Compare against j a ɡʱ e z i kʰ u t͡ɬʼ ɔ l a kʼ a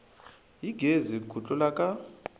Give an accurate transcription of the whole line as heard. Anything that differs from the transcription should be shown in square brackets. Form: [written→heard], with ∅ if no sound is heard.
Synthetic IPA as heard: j [a→i] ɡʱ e z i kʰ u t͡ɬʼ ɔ l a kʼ a